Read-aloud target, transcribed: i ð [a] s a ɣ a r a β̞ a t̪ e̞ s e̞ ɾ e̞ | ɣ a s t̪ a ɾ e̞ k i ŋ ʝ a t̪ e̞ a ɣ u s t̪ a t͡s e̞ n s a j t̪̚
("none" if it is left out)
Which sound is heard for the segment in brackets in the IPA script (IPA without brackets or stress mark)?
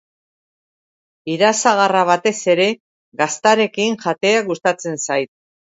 a